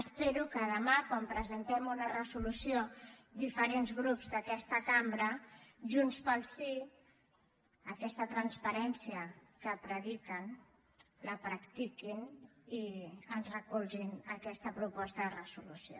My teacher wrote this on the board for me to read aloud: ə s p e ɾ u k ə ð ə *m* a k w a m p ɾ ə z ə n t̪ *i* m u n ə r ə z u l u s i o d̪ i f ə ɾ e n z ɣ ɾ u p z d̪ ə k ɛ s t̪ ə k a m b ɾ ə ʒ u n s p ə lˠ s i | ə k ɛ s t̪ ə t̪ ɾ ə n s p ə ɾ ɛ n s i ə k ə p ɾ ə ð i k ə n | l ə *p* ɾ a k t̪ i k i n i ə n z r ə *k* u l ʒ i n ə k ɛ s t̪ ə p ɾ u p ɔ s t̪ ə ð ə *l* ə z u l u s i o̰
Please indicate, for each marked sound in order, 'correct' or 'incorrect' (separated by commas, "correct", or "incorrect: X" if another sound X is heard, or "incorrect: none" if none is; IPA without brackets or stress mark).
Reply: correct, incorrect: ɛ, correct, correct, incorrect: r